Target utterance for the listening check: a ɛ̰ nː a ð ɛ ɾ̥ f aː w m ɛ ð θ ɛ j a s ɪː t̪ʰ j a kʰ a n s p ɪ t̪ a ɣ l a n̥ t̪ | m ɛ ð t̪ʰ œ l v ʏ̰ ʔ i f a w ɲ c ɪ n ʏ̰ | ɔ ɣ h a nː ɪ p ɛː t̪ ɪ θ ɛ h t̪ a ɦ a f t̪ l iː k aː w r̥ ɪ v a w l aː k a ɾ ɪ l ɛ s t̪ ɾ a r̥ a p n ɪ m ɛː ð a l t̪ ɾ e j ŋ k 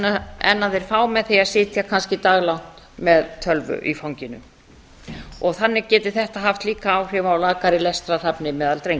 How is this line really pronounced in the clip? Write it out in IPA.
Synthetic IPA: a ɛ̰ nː a ð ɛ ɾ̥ f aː w m ɛ ð θ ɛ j a s ɪː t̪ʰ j a kʰ a n s c ɪ t̪ a ɣ l a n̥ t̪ | m ɛ ð t̪ʰ œ l v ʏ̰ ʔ i f a w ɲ c ɪ n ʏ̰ | ɔ ɣ θ a nː ɪ c ɛː t̪ ɪ θ ɛ h t̪ a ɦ a f t̪ l iː k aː w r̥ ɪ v a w l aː k a ɾ ɪ l ɛ s t̪ ɾ a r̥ a p n ɪ m ɛː ð a l t̪ ɾ e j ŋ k